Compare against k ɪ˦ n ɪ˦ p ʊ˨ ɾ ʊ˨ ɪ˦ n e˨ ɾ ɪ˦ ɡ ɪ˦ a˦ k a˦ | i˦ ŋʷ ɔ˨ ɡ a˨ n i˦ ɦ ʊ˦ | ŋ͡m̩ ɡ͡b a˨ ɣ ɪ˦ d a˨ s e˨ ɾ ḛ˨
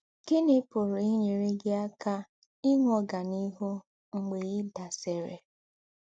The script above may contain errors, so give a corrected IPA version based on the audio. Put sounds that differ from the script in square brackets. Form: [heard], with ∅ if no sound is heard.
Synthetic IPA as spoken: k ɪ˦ n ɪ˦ p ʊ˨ ɾ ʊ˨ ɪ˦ [ɲ] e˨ ɾ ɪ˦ ɡ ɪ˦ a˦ k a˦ | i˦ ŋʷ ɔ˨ ɡ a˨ n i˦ ɦ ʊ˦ | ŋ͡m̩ ɡ͡b [e˨] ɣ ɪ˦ d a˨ s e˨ ɾ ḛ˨